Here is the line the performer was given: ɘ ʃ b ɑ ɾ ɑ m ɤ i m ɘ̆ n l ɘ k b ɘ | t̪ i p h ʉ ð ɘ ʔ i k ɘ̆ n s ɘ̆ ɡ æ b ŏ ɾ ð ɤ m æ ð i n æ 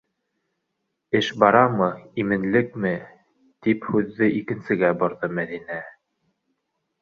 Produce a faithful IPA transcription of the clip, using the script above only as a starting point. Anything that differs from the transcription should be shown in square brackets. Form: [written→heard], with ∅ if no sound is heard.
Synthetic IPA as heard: ɘ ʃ b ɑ ɾ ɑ m ɤ i m ɘ̆ n l ɘ k [b→m] ɘ | t̪ i p h ʉ [ð→ðː] ɘ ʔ i k ɘ̆ n s ɘ̆ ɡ æ b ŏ ɾ ð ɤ m æ ð i n æ